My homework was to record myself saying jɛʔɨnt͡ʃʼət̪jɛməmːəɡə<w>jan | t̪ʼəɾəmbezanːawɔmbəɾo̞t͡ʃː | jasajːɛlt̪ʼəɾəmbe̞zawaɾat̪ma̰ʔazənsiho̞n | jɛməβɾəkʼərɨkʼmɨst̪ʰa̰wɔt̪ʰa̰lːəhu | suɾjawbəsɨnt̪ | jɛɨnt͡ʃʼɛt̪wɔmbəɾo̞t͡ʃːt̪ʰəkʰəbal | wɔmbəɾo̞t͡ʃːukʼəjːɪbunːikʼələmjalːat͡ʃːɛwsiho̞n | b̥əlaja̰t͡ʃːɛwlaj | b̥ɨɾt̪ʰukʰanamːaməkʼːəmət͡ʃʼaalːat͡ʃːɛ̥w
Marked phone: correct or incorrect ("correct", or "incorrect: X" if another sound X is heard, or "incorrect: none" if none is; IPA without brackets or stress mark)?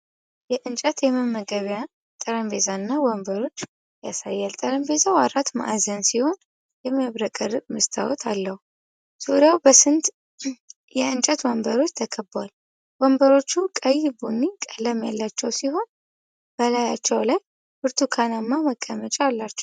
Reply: incorrect: β